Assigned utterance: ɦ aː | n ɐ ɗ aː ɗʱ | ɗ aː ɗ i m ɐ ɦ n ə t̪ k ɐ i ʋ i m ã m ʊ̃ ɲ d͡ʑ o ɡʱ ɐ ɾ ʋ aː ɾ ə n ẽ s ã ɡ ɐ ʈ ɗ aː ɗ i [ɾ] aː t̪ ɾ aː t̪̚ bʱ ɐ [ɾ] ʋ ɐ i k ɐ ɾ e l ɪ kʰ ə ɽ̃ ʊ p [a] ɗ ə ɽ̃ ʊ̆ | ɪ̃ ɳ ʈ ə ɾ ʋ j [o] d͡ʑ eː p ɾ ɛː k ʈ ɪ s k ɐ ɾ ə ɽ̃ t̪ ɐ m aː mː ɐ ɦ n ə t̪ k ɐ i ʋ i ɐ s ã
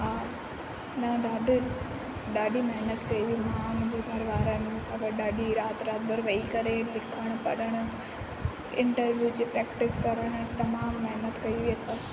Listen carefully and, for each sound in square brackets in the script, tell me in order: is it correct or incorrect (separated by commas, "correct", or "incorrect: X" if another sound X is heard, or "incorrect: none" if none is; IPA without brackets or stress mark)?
correct, correct, incorrect: ɐ, incorrect: u